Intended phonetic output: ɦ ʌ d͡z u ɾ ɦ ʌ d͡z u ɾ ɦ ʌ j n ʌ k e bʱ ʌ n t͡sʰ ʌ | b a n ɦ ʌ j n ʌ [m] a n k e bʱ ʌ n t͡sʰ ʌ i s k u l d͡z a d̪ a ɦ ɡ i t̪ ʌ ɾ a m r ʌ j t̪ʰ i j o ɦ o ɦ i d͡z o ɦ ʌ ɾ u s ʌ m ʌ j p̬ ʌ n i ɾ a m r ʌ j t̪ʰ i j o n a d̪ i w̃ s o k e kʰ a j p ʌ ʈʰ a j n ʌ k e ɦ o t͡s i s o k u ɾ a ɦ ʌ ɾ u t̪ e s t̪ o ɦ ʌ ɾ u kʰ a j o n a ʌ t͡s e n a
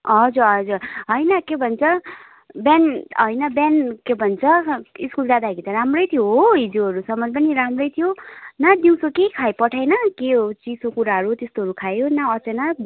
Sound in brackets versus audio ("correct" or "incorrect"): incorrect